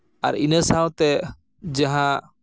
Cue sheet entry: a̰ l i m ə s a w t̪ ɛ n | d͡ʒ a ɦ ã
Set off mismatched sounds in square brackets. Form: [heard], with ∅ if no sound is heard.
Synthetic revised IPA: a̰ [ɾ] i [n] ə s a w t̪ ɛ [∅] | d͡ʒ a ɦ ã

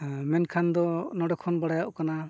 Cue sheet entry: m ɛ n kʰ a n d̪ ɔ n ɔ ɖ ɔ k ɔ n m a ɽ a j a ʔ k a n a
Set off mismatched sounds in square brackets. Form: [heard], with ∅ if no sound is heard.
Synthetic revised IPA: m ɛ n kʰ a n d̪ ɔ n ɔ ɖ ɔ [kʰ] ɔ n [b] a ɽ a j a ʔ k a n a

